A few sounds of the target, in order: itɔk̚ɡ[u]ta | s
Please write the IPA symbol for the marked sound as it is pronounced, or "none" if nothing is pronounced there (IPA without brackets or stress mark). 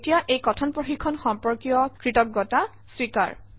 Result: ɔ